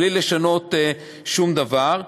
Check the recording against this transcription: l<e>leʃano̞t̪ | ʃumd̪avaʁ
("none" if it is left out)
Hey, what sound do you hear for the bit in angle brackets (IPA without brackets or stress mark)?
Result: i